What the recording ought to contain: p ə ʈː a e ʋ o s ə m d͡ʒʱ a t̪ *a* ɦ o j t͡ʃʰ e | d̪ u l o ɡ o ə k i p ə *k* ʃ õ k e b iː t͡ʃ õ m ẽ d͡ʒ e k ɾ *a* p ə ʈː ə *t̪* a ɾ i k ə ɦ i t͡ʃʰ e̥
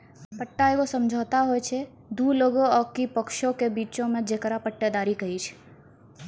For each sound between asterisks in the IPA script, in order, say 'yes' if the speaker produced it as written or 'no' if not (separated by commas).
yes, yes, yes, no